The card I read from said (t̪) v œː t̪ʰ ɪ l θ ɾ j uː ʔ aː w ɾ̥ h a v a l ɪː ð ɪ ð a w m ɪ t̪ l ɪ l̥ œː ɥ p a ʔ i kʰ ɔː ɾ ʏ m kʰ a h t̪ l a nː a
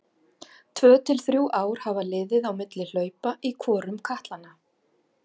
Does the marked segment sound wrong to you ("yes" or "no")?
yes